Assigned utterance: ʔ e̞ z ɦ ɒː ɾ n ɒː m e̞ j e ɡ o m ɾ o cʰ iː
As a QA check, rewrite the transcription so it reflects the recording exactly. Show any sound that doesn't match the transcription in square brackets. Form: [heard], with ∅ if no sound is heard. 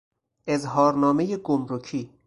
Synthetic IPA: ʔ e̞ z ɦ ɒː ɾ n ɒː m e̞ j e ɡ o m ɾ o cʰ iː

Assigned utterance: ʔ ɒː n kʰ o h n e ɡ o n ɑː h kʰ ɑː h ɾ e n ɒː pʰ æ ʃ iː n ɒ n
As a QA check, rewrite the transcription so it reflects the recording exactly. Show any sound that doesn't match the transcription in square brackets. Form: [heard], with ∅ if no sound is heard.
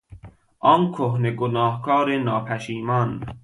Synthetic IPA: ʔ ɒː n kʰ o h n e ɡ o n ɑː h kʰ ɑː [∅] ɾ e n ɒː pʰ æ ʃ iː [m] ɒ n

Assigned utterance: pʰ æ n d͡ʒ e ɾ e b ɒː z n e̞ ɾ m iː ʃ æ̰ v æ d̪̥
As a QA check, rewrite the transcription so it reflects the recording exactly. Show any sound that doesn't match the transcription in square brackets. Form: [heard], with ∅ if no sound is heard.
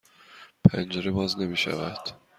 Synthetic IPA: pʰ æ n d͡ʒ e ɾ e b ɒː z n e̞ [∅] m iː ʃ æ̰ v æ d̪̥

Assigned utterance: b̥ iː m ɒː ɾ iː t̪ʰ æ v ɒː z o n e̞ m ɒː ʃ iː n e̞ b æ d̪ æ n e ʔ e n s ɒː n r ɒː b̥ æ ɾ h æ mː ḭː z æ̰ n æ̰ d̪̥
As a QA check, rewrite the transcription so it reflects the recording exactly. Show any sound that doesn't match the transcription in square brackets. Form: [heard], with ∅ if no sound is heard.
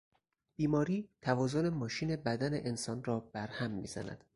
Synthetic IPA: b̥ iː m ɒː ɾ iː t̪ʰ æ v ɒː z o n e̞ m ɒː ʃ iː n e̞ b æ d̪ æ n e ʔ e n s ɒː n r ɒː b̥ æ ɾ h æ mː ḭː z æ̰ n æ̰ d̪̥

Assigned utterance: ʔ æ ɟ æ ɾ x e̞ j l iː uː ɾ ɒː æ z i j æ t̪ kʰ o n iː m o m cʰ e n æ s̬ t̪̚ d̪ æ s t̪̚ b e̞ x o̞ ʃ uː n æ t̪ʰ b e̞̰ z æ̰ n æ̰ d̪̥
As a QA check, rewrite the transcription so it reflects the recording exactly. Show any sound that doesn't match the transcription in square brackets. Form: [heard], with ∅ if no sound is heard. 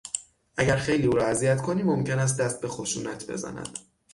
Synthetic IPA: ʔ æ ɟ æ ɾ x e̞ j l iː uː ɾ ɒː æ z i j æ t̪ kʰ o n iː m o m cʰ e n æ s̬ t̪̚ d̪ æ s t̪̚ b e̞ x o̞ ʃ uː n æ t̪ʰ b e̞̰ z æ̰ n æ̰ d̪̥

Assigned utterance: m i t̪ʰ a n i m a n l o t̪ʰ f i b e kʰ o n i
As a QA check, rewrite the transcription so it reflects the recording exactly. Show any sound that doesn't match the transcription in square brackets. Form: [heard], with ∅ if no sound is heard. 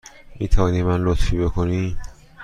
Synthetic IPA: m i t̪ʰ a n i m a n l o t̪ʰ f i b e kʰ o n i

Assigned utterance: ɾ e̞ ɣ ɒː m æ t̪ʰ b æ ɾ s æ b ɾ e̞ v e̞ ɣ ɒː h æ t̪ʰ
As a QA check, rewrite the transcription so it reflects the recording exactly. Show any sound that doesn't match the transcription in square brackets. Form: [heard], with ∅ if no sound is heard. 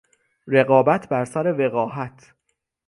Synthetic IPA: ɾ e̞ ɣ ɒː [b] æ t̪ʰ b æ ɾ s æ [∅] ɾ e̞ v e̞ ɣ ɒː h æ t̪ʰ

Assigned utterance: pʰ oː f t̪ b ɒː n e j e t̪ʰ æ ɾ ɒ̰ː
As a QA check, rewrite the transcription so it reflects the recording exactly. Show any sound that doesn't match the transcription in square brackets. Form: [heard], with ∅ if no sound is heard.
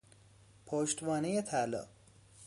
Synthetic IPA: pʰ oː [ʃ] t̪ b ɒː n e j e t̪ʰ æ [l] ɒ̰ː

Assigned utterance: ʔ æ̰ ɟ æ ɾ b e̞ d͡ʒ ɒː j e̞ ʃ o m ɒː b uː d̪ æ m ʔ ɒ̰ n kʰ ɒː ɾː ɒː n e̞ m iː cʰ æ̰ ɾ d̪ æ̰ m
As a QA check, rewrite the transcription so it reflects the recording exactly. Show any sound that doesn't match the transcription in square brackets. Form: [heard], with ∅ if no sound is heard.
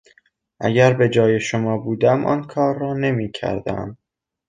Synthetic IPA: ʔ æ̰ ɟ æ ɾ b e̞ d͡ʒ ɒː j e̞ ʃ o m ɒː b uː d̪ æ m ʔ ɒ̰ n kʰ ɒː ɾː ɒː n e̞ m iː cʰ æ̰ ɾ d̪ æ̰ m

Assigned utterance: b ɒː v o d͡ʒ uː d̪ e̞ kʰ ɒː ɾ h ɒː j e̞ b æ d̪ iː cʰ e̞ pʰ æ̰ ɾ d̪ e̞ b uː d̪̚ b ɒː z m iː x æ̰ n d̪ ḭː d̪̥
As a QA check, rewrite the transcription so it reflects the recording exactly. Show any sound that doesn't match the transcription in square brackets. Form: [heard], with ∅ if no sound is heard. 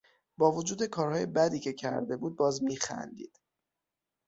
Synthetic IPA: b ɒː v o d͡ʒ uː d̪ e̞ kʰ ɒː ɾ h ɒː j e̞ b æ d̪ iː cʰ e̞ [cʰ] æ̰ ɾ d̪ e̞ b uː d̪̚ b ɒː z m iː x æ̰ n d̪ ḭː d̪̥

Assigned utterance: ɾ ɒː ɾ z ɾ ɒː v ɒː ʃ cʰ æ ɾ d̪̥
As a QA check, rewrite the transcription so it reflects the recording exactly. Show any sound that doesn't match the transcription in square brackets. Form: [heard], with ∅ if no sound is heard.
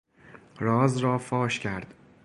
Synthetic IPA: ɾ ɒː [∅] z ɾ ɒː [f] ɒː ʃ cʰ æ ɾ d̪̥

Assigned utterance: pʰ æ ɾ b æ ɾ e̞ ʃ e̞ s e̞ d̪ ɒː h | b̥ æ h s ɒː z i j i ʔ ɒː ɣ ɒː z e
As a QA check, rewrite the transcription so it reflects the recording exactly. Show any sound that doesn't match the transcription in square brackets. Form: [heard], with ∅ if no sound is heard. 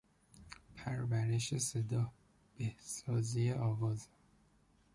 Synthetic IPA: pʰ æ ɾ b æ ɾ e̞ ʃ e̞ s e̞ d̪ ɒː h | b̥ [e] h s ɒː z i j [e] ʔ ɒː [v] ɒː z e

